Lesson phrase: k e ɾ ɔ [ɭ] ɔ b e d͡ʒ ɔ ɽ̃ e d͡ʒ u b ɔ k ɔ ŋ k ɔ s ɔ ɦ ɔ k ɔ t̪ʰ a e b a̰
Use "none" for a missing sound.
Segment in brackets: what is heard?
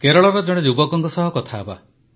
ɭ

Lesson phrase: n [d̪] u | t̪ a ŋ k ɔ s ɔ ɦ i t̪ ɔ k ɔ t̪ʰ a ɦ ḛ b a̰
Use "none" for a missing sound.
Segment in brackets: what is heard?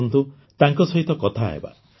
t̪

